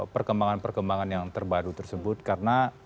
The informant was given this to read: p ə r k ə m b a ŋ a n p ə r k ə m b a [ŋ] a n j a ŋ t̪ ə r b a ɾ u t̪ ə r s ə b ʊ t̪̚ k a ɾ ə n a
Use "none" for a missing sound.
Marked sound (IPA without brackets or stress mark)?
ŋ